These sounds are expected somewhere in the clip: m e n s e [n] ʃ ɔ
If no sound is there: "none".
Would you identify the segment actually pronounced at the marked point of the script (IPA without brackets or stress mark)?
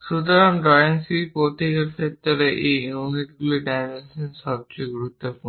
n